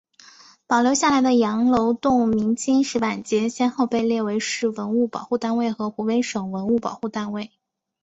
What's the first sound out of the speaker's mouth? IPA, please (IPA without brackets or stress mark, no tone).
p